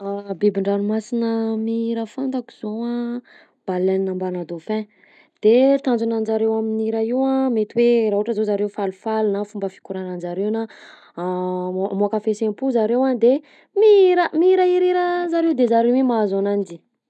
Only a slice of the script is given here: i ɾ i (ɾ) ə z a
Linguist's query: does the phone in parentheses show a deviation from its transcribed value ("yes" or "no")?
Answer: no